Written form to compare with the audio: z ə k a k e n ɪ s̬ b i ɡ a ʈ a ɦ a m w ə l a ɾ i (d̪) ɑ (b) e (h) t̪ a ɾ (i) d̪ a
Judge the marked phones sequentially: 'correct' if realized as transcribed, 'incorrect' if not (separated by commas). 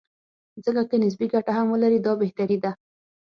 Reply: correct, correct, correct, correct